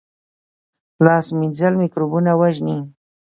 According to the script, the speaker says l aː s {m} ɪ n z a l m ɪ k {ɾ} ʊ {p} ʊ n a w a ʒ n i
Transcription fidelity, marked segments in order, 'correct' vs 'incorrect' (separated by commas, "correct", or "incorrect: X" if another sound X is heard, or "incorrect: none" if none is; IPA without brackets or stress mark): correct, correct, incorrect: b